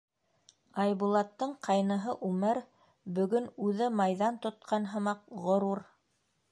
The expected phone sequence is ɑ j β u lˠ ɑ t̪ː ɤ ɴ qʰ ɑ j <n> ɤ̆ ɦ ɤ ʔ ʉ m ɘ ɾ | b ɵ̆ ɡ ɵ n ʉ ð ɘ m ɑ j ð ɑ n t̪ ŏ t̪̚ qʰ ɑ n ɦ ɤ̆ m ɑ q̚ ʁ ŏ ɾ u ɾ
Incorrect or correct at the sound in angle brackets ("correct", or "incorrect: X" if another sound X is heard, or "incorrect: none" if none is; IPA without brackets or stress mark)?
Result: correct